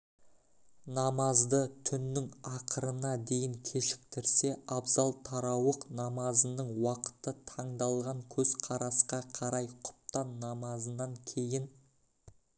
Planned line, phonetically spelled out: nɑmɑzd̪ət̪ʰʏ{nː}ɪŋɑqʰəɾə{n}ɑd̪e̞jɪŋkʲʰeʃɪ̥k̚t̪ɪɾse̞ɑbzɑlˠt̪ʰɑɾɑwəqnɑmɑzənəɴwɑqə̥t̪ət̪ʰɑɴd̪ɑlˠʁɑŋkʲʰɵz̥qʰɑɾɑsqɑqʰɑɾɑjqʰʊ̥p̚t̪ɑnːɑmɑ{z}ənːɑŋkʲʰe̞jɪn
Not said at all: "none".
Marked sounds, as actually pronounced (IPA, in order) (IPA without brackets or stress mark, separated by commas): nː, n, z